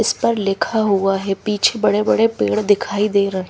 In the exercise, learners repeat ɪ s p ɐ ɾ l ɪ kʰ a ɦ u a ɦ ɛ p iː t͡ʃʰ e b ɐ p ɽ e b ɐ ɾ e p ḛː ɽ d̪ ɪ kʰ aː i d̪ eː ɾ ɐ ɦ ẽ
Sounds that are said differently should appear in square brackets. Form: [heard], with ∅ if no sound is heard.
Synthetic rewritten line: ɪ s p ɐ ɾ l ɪ kʰ a ɦ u a ɦ ɛ p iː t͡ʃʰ e b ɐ [∅] ɽ e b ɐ [ɽ] e p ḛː ɽ d̪ ɪ kʰ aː i d̪ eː ɾ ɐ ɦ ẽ

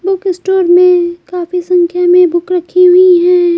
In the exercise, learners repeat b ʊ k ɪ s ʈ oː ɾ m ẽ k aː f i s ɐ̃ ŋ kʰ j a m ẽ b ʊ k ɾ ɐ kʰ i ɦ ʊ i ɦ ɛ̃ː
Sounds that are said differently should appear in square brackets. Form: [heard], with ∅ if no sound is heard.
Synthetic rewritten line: b ʊ k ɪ s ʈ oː ɾ m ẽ k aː f i s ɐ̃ ŋ kʰ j a m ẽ b ʊ k ɾ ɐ kʰ i ɦ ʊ i ɦ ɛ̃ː

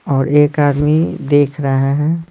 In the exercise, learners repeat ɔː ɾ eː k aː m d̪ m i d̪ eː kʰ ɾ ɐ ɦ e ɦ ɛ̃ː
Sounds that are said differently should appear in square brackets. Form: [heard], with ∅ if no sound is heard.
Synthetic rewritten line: ɔː ɾ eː k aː [∅] d̪ m i d̪ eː kʰ ɾ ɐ ɦ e ɦ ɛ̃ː

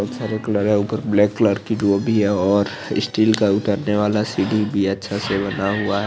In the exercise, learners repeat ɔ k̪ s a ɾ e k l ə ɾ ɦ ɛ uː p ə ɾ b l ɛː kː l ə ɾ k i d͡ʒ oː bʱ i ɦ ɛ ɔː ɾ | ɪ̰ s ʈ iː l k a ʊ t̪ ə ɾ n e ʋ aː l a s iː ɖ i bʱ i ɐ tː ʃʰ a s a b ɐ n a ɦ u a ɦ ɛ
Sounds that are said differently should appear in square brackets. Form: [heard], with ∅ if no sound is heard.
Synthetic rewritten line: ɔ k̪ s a ɾ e k l ə ɾ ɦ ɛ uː p ə ɾ b l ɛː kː l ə ɾ k i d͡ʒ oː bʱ i ɦ ɛ ɔː ɾ | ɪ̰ s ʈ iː l k a ʊ t̪ ə ɾ n e ʋ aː l a s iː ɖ i bʱ i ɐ tː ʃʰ a s [e] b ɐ n a ɦ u a ɦ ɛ

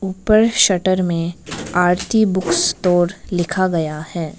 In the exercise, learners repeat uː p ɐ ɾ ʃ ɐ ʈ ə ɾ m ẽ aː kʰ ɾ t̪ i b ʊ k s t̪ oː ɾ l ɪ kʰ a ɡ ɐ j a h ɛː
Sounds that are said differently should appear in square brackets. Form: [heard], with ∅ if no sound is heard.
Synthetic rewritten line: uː p [ə] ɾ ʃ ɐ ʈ ə ɾ m ẽ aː [∅] ɾ t̪ i b ʊ k s t̪ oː ɾ l ɪ kʰ a ɡ ɐ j a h ɛː

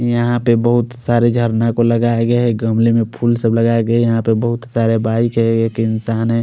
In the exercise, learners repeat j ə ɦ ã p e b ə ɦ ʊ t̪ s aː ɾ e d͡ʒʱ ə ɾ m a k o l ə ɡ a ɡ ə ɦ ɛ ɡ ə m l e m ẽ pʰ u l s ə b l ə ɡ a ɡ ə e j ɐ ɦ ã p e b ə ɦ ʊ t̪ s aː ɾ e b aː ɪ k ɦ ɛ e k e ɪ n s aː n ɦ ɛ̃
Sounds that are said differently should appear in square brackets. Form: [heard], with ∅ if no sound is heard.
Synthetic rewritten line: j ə ɦ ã p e b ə ɦ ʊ t̪ s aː ɾ e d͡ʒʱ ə ɾ [n] a k o l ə ɡ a ɡ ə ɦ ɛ ɡ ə m l e m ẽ pʰ u l s ə b l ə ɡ a ɡ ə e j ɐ ɦ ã p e b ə ɦ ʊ t̪ s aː ɾ e b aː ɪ k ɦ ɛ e k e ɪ n s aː n ɦ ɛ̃

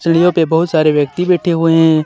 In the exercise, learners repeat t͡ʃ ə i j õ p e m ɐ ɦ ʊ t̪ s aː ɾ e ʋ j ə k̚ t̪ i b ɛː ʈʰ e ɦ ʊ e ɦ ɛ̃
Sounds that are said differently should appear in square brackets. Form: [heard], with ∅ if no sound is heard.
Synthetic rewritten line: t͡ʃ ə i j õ p e [b] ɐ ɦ ʊ t̪ s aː ɾ e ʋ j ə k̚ t̪ i b ɛː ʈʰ e ɦ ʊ e ɦ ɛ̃

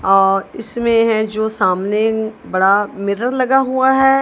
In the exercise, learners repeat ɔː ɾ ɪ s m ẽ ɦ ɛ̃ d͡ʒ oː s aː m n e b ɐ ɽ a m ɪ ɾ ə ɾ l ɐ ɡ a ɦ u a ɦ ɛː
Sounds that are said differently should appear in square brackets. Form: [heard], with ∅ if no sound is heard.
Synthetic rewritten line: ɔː ɾ ɪ s m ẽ ɦ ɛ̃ d͡ʒ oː s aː m n e b ɐ ɽ a m ɪ ɾ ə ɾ l ɐ ɡ a ɦ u a ɦ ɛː

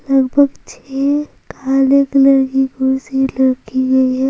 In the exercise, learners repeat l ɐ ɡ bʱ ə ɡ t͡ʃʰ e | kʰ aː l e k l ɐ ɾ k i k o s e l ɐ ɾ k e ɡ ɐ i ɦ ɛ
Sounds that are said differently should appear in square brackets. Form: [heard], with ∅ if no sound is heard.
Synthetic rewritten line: l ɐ ɡ bʱ ə ɡ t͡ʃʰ e | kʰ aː l e k l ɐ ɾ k i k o s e l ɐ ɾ k [i] ɡ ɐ i ɦ ɛ

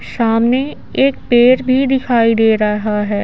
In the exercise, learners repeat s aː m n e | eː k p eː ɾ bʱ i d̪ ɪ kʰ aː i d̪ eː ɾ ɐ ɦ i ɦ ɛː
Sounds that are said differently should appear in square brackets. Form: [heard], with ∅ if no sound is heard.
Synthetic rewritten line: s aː m n e | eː k p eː ɾ bʱ i d̪ ɪ kʰ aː i d̪ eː ɾ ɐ ɦ [a] ɦ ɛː

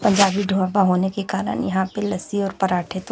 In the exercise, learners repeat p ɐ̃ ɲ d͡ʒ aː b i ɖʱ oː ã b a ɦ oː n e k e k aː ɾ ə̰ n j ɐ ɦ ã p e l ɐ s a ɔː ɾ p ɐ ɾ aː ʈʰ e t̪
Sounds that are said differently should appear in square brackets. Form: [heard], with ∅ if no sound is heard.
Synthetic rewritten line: p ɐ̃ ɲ d͡ʒ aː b i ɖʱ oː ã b a ɦ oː n e k e k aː ɾ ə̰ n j ɐ ɦ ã p e l ɐ s [i] ɔː ɾ p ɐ ɾ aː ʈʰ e t̪

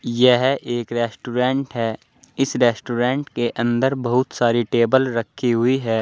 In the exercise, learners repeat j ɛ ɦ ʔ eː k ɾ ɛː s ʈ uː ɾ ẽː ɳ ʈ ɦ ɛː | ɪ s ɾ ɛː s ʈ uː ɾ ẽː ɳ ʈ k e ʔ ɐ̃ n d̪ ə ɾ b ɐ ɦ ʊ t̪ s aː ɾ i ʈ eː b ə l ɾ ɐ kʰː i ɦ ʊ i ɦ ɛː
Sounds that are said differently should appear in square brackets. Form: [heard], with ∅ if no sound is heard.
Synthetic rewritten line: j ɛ ɦ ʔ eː k ɾ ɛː s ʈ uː ɾ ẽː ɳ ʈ ɦ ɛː | ɪ s ɾ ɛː s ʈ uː ɾ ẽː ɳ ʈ k e ʔ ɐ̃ n d̪ ə ɾ b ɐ ɦ ʊ t̪ s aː ɾ i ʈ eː b ə l ɾ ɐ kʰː i ɦ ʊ i ɦ ɛː

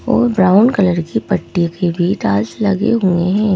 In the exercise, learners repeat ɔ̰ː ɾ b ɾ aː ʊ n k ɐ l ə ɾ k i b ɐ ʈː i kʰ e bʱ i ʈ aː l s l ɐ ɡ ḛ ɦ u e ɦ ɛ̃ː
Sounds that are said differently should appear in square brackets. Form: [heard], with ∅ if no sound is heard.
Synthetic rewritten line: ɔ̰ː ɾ b ɾ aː ʊ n k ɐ l ə ɾ k i [p] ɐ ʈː i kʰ e bʱ i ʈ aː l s l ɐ ɡ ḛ ɦ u e ɦ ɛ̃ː

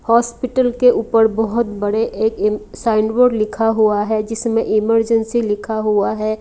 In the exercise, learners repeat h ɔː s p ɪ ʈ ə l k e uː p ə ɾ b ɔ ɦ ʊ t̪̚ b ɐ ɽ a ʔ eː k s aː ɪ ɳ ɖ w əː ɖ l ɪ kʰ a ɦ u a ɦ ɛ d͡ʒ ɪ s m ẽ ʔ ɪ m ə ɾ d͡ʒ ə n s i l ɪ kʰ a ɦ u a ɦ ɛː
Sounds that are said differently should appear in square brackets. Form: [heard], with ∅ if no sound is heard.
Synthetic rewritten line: h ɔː s p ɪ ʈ ə l k e uː p ə ɾ b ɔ ɦ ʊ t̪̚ b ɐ ɽ [e] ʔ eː k s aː ɪ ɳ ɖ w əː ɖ l ɪ kʰ a ɦ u a ɦ ɛ d͡ʒ ɪ s m ẽ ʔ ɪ m ə ɾ d͡ʒ ə n s i l ɪ kʰ a ɦ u a ɦ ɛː

